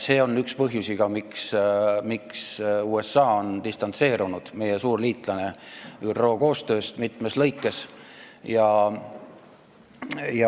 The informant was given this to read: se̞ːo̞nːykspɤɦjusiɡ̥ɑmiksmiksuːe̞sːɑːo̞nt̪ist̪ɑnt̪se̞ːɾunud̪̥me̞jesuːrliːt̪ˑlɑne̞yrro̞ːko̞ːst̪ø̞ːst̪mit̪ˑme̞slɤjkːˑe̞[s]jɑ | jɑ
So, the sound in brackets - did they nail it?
yes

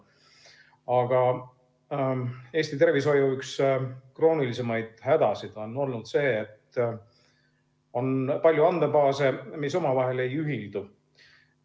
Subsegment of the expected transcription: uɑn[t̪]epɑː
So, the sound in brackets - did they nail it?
no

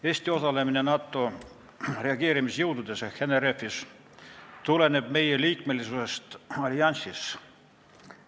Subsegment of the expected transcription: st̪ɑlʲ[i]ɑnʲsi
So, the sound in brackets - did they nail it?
yes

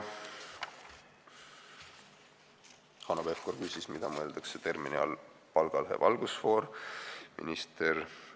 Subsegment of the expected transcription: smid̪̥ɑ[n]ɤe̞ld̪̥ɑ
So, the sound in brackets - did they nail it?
no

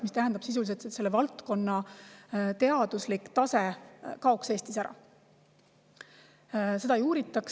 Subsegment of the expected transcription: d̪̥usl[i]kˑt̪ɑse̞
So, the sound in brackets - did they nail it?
yes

